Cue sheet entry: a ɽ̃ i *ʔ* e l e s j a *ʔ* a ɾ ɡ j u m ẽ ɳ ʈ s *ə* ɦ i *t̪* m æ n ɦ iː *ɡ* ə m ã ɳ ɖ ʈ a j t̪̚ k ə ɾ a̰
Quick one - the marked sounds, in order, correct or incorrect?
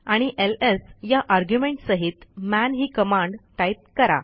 correct, correct, correct, correct, incorrect: k

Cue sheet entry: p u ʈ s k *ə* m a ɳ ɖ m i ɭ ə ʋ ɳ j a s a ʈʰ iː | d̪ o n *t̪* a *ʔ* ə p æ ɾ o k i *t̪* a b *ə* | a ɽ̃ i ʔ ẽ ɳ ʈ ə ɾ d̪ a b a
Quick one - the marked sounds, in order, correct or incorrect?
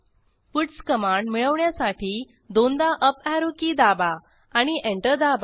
correct, incorrect: d̪, correct, incorrect: d̪, incorrect: a

